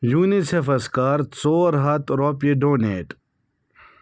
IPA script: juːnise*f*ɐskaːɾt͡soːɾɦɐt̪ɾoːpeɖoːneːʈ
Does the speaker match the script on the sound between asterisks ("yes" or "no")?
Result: yes